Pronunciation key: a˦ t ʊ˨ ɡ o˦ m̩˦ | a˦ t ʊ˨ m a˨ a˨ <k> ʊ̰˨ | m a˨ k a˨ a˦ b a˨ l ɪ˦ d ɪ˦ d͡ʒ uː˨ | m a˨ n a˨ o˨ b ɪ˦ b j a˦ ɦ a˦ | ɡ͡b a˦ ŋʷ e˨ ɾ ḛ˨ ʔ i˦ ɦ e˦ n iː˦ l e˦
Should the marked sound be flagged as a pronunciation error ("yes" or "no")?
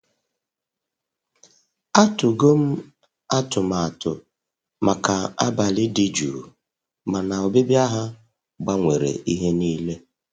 yes